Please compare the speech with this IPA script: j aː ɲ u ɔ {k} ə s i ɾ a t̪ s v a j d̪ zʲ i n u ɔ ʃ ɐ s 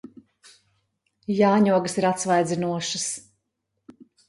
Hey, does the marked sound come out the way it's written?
no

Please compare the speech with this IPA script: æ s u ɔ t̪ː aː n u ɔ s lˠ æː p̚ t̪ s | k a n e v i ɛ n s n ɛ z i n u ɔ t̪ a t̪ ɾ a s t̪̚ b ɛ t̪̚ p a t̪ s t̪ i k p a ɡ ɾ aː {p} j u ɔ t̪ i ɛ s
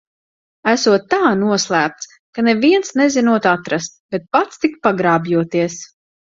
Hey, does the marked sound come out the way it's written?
no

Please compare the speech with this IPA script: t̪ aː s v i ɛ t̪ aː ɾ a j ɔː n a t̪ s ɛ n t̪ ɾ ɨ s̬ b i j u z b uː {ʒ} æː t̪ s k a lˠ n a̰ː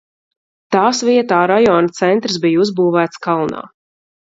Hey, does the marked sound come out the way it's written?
no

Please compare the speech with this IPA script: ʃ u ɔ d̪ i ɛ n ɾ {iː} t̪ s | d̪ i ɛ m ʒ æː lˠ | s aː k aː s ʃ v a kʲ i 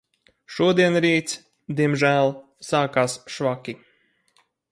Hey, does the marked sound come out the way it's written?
yes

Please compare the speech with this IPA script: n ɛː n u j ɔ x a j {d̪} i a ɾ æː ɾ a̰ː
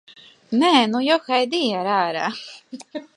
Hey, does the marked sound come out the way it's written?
yes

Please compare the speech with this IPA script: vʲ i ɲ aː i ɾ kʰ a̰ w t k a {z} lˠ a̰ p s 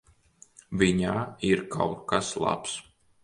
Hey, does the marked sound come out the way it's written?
no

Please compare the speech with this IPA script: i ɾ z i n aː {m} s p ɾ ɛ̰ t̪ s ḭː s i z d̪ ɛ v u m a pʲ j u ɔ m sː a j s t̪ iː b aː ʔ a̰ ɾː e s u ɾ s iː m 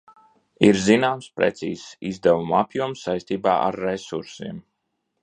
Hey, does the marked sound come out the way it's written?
yes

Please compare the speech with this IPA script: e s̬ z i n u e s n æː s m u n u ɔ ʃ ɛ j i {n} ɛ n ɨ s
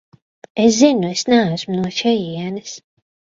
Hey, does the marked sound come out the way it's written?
no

